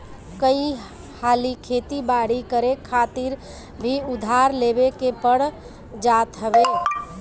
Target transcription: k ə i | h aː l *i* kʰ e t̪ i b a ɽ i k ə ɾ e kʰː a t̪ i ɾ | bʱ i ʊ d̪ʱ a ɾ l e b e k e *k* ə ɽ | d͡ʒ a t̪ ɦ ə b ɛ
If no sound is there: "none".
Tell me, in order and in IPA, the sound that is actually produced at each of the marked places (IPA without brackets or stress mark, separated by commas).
i, p